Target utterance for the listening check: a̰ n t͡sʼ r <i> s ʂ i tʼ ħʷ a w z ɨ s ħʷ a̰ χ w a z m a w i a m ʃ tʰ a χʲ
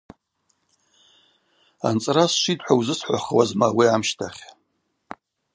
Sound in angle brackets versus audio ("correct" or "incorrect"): incorrect